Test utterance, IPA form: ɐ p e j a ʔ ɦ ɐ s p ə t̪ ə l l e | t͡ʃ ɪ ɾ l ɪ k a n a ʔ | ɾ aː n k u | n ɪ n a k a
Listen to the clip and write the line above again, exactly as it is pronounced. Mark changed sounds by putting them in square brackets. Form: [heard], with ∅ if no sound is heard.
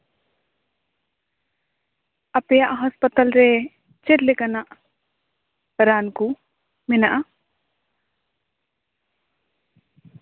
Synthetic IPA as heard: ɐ p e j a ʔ ɦ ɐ s p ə t̪ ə l [ɾ] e | t͡ʃ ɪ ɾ l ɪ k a n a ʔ | ɾ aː n k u | [m] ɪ n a [ʔ] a